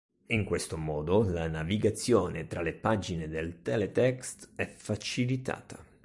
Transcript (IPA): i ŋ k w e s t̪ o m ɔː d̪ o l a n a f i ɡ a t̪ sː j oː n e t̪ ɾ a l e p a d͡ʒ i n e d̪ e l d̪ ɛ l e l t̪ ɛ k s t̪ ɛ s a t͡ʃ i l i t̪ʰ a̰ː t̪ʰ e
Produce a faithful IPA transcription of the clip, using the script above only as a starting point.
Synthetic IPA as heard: i ŋ k w e s t̪ o m ɔː d̪ o l a n a v i ɡ a t̪ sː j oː n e t̪ ɾ a l e p a d͡ʒ i n e d̪ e l t̪ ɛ l e t̪ ɛ k s t̪ ɛ f a t͡ʃ i l i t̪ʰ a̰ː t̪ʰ a